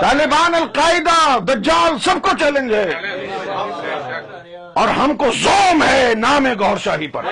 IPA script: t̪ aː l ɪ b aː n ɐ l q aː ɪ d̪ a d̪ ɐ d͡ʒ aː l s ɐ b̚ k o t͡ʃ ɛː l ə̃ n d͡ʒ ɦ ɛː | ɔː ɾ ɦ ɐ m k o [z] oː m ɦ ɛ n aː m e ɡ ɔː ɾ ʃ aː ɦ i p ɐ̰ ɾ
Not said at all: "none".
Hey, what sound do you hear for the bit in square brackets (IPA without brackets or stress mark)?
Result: z